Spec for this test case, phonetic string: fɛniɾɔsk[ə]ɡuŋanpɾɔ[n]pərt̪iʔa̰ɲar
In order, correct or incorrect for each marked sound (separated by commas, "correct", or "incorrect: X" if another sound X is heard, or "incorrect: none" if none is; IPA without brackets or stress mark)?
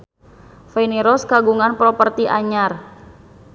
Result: incorrect: a, incorrect: none